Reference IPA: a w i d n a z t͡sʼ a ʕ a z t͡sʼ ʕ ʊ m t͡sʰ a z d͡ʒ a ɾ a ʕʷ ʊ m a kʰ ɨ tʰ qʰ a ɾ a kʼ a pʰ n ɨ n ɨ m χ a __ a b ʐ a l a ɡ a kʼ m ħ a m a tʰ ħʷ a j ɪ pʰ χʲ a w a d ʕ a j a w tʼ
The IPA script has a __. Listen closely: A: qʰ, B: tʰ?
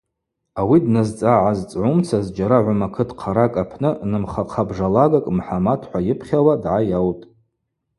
A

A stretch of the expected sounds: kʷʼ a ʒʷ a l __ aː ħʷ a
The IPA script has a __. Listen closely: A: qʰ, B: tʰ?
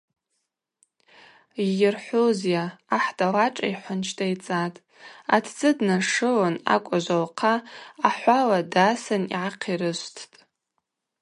A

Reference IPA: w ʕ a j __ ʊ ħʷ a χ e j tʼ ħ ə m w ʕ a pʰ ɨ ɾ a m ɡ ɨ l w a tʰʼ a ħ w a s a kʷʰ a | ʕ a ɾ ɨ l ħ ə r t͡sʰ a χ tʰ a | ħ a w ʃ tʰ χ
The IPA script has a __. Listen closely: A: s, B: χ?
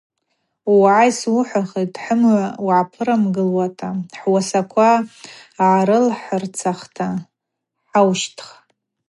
A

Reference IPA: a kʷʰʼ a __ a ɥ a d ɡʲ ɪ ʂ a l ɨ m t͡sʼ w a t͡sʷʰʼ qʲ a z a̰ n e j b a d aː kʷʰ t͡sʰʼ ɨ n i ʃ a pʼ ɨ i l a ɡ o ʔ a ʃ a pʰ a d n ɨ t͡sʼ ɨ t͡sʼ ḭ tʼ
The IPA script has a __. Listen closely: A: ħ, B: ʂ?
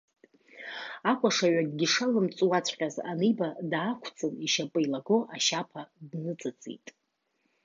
B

